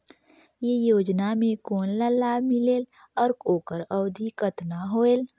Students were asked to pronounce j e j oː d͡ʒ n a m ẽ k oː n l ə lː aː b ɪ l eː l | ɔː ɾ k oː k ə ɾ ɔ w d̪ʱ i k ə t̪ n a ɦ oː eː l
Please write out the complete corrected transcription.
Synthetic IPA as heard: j e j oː d͡ʒ n a m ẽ k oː n l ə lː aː m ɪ l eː l | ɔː ɾ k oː k ə ɾ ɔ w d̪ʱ i k ə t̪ n a ɦ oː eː l

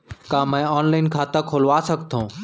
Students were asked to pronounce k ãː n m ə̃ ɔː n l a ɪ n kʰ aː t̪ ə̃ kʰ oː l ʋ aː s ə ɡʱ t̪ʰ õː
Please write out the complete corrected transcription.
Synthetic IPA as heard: k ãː m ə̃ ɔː n l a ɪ n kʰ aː t̪ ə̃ kʰ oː l ʋ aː s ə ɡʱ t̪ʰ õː

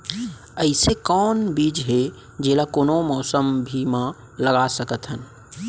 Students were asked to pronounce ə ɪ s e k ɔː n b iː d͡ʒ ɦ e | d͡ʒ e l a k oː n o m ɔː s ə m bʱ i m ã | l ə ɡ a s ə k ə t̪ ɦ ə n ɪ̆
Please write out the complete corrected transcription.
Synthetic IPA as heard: ə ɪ s e k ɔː n b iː d͡ʒ ɦ e | d͡ʒ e l a k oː n o m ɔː s ə m bʱ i m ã | l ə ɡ a s ə k ə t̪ ɦ ə n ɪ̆

